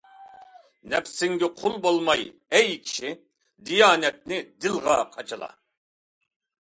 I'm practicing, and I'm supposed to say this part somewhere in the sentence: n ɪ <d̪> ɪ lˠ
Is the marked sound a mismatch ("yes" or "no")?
no